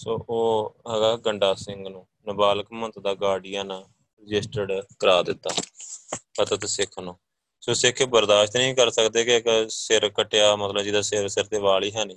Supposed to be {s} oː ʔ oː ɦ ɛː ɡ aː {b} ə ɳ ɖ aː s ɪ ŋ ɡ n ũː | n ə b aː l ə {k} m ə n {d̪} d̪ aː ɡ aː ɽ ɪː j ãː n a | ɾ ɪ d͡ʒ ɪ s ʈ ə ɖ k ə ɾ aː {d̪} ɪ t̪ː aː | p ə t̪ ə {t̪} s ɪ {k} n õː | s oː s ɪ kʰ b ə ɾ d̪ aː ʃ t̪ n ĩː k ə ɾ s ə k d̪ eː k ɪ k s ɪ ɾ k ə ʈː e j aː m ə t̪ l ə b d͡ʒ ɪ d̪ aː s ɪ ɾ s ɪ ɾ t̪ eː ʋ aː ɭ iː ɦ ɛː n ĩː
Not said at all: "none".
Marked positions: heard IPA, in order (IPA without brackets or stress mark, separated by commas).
s, ɡ, k, t̪, d̪, t̪, kʰ